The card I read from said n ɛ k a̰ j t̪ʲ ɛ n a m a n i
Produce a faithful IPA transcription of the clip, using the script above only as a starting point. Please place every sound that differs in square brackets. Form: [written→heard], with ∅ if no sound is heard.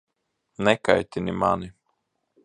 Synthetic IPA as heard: n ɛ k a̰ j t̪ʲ [ɛ→i] n [a→i] m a n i